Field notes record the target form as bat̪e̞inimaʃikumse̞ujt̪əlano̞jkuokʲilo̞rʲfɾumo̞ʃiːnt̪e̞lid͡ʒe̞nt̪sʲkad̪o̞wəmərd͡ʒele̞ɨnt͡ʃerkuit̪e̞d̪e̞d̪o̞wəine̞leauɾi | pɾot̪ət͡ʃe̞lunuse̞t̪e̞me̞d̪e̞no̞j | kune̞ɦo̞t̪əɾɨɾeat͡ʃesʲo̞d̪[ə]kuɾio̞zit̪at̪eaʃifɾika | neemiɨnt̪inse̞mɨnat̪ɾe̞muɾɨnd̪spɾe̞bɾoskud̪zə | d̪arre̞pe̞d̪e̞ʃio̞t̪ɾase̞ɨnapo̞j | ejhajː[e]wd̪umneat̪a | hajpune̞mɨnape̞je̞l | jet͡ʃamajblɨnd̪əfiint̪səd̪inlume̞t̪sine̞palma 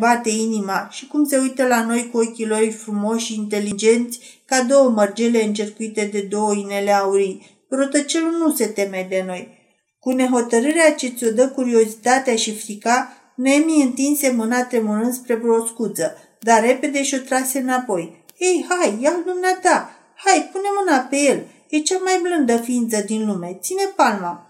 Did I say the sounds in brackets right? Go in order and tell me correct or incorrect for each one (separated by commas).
correct, incorrect